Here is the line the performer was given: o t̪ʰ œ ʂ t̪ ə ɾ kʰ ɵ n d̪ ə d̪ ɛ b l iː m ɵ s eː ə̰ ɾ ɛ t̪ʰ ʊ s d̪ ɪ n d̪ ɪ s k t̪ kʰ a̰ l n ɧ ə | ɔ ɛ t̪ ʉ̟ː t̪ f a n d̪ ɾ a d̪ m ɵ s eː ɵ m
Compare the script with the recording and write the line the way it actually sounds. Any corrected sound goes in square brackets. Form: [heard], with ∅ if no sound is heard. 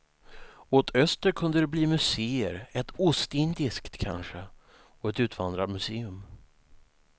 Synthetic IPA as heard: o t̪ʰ œ [s] t̪ ə ɾ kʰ ɵ n d̪ ə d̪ ɛ b l iː m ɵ s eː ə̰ ɾ ɛ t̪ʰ ʊ s [t̪] ɪ n d̪ ɪ s k t̪ kʰ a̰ [∅] n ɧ ə | ɔ ɛ t̪ ʉ̟ː t̪ [v] a n d̪ ɾ a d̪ m ɵ s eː ɵ m